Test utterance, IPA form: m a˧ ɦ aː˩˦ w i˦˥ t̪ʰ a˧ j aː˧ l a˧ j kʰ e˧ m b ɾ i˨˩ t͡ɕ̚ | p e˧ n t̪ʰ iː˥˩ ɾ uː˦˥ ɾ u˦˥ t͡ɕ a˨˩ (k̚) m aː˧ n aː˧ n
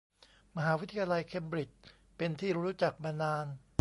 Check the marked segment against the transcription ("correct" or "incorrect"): correct